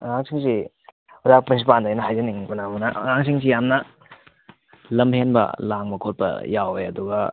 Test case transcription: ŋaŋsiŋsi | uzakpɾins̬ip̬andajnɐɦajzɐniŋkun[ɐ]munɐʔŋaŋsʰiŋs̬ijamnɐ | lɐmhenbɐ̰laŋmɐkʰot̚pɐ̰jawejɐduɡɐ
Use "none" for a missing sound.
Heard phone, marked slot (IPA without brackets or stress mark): a